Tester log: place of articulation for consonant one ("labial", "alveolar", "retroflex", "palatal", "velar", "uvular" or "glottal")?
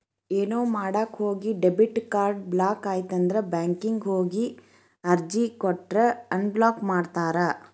alveolar